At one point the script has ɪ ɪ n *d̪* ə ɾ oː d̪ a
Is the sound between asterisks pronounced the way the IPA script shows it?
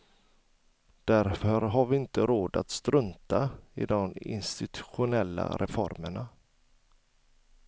no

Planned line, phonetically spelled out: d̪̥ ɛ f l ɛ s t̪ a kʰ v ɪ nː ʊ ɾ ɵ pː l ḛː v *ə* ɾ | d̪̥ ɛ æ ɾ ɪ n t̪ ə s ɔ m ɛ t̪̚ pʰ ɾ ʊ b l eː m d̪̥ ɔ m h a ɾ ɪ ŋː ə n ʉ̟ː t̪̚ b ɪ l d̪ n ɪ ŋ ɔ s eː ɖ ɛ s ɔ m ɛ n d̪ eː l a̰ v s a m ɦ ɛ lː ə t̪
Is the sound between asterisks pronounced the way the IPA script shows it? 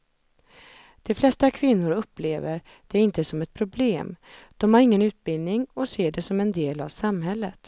yes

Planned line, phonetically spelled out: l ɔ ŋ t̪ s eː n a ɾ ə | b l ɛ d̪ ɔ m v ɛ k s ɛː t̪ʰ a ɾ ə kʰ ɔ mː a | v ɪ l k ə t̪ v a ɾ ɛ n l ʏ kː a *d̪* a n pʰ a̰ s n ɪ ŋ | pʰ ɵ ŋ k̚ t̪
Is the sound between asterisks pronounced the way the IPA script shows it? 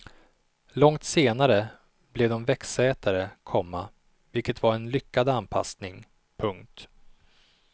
yes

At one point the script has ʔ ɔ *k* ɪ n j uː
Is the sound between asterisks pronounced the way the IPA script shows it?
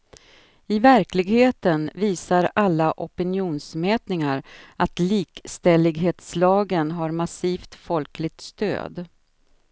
no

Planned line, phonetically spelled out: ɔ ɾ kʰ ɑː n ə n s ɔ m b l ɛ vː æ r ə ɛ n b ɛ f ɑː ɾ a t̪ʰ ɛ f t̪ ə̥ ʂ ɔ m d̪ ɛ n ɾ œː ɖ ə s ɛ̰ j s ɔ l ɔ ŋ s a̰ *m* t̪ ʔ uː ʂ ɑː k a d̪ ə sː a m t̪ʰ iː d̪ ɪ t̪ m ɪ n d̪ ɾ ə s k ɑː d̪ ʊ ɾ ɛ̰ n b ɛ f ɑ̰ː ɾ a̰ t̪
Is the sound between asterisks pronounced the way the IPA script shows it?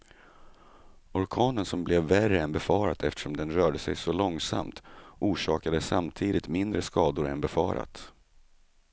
yes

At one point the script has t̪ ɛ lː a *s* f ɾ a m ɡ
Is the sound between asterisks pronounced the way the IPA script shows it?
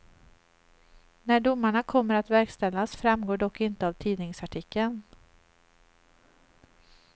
yes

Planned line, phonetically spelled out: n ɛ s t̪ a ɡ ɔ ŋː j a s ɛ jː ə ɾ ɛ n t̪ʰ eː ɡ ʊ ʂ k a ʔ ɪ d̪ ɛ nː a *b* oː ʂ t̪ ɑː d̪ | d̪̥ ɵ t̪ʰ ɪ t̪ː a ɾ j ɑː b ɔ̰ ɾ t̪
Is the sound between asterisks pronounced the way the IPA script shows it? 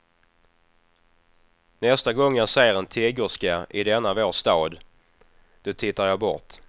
no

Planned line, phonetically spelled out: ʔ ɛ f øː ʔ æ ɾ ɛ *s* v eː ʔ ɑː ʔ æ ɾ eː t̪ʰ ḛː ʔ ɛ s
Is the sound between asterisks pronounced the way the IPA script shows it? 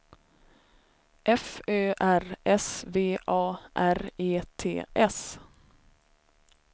yes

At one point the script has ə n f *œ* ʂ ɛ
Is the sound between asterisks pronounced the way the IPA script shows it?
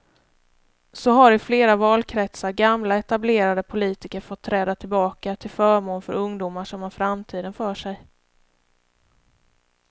no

